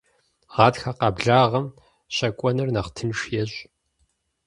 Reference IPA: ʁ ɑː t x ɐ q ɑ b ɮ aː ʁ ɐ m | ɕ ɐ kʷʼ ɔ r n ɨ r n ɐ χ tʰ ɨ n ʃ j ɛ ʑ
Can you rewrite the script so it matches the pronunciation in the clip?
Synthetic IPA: ʁ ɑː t x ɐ q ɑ b ɮ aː ʁ ɐ m | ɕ ɐ kʷʼ ɔ n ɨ r n ɐ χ tʰ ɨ n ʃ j ɛ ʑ